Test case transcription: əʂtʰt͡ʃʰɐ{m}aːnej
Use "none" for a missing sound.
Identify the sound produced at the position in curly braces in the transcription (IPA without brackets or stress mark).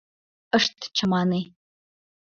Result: m